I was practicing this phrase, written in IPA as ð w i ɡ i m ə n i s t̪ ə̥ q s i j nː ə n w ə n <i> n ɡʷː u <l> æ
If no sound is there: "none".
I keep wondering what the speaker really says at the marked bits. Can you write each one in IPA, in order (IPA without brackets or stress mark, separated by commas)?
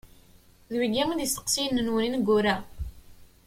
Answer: i, ɾ